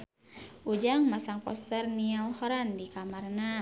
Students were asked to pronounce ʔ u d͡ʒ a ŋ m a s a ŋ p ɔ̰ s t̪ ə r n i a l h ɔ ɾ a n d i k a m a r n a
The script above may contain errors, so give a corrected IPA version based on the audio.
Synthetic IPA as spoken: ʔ u d͡ʒ a ŋ m a s a ŋ p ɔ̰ s t̪ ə r n i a l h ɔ ɾ a n d i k a m a r n a